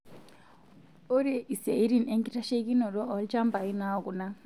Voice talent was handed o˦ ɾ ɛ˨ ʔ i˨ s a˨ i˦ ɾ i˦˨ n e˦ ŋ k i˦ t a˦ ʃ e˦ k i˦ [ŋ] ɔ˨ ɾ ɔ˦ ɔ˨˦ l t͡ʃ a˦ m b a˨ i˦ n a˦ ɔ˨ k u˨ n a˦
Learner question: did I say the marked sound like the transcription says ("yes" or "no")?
no